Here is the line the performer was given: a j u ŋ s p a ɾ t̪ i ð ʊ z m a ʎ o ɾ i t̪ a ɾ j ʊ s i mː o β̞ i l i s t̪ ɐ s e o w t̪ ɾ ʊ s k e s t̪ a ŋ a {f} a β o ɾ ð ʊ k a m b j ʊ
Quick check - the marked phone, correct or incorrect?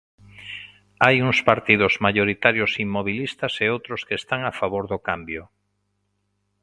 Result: correct